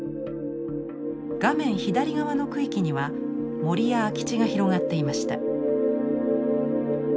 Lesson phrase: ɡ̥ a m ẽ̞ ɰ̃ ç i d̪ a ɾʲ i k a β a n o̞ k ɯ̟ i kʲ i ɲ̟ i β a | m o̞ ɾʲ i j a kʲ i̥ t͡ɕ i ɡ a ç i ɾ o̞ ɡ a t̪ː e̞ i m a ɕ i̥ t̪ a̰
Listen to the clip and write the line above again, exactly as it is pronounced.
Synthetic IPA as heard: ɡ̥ a m ẽ̞ ɰ̃ ç i d̪ a ɾʲ i ɡ a β a n o̞ k ɯ̟ i kʲ i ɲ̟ i β a | m o̞ ɾʲ i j a kʲ i̥ t͡ɕ i ɡ a ç i ɾ o̞ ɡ a t̪ː e̞ i m a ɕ i̥ t̪ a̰

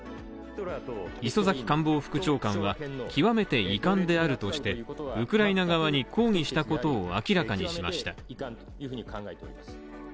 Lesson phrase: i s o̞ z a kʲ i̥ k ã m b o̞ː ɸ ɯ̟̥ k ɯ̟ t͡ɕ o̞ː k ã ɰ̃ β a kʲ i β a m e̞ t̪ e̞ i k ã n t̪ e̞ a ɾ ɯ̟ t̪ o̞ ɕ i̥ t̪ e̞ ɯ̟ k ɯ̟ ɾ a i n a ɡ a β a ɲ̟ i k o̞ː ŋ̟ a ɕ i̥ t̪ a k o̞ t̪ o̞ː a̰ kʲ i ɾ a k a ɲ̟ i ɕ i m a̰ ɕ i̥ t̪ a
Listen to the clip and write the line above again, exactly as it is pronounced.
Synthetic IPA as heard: i s o̞ z a kʲ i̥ k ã m b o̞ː ɸ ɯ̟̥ k ɯ̟ t͡ɕ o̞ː k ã ɰ̃ β a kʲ i β a m e̞ t̪ e̞ i k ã n d̪ e̞ a ɾ ɯ̟ t̪ o̞ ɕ i̥ t̪ e̞ ɯ̟ k ɯ̟ ɾ a i n a ɡ a β a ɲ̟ i k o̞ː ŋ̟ i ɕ i̥ t̪ a k o̞ t̪ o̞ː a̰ kʲ i ɾ a k a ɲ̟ i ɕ i m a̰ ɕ i̥ t̪ a

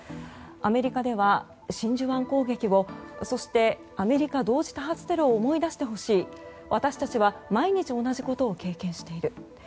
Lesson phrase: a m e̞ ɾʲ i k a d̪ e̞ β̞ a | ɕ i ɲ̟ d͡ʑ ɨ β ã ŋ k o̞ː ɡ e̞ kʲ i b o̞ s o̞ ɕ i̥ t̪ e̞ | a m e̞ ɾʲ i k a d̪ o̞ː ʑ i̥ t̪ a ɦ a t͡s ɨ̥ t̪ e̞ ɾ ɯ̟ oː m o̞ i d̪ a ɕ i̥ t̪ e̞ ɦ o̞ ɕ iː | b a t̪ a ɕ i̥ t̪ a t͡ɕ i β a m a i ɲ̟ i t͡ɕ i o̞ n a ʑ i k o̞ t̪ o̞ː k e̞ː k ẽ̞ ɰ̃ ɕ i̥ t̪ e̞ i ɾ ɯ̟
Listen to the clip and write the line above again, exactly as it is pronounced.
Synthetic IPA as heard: a m e̞ ɾʲ i k a d̪ e̞ β̞ a | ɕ ĩ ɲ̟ d͡ʑ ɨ β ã ŋ k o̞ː ɡ e̞ kʲ i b o̞ s o̞ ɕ i̥ t̪ e̞ | a m e̞ ɾʲ i k a d̪ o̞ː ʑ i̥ t̪ a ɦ a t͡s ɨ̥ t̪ e̞ ɾ ɯ̟ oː m o̞ i d̪ a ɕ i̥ t̪ e̞ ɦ o̞ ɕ iː | β a t̪ a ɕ i̥ t̪ a t͡ɕ i β a m a i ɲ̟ i t͡ɕ i o̞ n a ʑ i k o̞ t̪ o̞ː k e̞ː k ẽ̞ ɰ̃ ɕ i̥ t̪ e̞ i ɾ ɯ̟

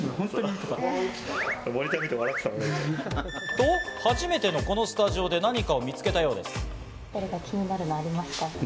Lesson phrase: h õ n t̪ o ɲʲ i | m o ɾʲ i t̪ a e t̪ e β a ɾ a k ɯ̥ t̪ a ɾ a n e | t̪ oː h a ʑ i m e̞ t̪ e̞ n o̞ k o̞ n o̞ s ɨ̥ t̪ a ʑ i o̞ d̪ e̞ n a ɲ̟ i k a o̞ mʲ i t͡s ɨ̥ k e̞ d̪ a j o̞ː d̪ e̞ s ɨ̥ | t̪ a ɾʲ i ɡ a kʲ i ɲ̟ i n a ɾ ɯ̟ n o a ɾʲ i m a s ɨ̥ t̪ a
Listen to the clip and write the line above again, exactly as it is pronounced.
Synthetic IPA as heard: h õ n t̪ o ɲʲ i | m o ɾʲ i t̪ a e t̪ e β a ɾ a k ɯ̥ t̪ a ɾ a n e | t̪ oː h a ʑ i m e̞ t̪ e̞ n o̞ k o̞ n o̞ s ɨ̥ t̪ a ʑ i o̞ d̪ e̞ n a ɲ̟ i k a o̞ mʲ i t͡s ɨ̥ k e̞ t̪ a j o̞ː d̪ e̞ s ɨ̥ | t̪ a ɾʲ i ɡ a kʲ i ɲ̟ i n a ɾ ɯ̟ n o a ɾʲ i m a s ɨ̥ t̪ a

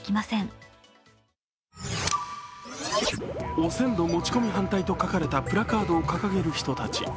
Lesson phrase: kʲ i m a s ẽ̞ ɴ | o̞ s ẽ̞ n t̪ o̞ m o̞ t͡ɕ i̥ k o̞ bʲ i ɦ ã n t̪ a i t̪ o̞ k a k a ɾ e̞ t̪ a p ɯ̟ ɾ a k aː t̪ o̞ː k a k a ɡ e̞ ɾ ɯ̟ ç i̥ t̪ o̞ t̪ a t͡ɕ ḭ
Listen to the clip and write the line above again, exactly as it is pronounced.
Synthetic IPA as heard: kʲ i m a s ẽ̞ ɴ | o̞ s ẽ̞ n d̪ o̞ m o̞ t͡ɕ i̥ k o̞ mʲ i ɦ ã n t̪ a i t̪ o̞ k a k a ɾ e̞ t̪ a p ɯ̟ ɾ a k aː d̪ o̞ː k a k a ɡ e̞ ɾ ɯ̟ ç i̥ t̪ o̞ t̪ a t͡ɕ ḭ

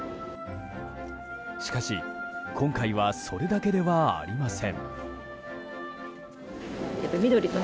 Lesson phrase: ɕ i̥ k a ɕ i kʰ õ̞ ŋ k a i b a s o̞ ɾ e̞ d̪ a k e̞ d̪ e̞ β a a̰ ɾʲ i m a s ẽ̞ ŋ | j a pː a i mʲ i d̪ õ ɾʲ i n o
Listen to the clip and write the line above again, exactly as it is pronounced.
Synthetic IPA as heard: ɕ i̥ k a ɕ i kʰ õ̞ ŋ k a i β a s o̞ ɾ e̞ d̪ a k e̞ d̪ e̞ β a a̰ ɾʲ i m a s ẽ̞ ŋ | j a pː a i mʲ i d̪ o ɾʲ i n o

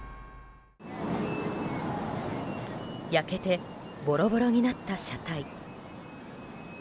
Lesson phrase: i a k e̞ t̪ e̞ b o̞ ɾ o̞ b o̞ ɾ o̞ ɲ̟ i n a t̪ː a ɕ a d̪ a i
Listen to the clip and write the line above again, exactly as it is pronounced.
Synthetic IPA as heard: j a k e̞ t̪ e̞ b o̞ ɾ o̞ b o̞ ɾ o̞ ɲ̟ i n a t̪ː a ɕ a t̪ a i

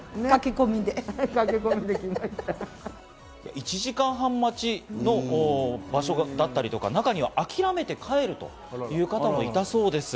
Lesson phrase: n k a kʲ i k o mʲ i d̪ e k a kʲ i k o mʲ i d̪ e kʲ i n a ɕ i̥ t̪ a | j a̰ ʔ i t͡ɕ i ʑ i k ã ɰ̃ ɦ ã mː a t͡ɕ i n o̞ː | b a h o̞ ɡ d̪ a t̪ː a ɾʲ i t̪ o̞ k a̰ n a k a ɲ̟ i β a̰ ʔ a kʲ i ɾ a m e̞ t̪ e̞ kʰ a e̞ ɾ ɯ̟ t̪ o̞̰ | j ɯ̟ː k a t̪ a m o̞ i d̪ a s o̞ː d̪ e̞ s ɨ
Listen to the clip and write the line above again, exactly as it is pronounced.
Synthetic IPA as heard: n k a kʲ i k o mʲ i d̪ e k a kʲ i k o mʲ i d̪ e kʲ i m a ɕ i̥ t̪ a | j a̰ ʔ i t͡ɕ i ʑ i k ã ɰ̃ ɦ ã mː a t͡ɕ i n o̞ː | b a ɕ o̞ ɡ d̪ a t̪ː a ɾʲ i t̪ o̞ k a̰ n a k a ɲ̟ i β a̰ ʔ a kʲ i ɾ a m e̞ t̪ e̞ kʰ a e̞ ɾ ɯ̟ t̪ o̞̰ | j ɯ̟ː k a t̪ a m o̞ i t̪ a s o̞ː d̪ e̞ s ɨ

